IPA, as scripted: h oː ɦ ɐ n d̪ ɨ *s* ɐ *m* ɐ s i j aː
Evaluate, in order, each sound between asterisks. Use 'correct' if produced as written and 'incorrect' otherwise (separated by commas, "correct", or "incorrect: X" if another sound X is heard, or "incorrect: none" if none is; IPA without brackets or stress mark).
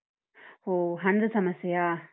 correct, correct